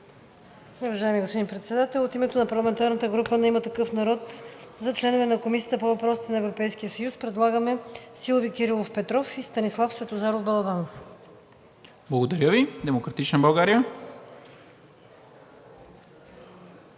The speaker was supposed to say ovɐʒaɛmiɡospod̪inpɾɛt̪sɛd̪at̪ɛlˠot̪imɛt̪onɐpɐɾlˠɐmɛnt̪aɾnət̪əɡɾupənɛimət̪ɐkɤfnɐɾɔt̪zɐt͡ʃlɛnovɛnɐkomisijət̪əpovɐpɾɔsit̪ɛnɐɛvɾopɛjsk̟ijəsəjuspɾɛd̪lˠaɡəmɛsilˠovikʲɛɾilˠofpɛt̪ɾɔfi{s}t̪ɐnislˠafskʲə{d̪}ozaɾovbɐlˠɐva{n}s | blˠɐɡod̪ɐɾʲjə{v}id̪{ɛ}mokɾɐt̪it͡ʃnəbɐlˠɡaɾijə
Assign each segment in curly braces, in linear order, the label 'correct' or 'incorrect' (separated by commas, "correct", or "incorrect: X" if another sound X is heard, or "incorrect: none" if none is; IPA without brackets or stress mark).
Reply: correct, incorrect: t̪, correct, correct, correct